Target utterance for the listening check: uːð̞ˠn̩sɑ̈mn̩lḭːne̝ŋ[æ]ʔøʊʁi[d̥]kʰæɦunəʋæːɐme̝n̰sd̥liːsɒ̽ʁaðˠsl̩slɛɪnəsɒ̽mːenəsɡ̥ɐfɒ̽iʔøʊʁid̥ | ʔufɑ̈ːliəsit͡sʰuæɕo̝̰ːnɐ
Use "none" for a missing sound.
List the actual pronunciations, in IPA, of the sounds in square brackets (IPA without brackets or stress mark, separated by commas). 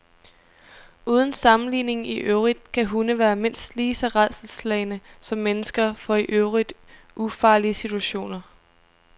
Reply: i, d̥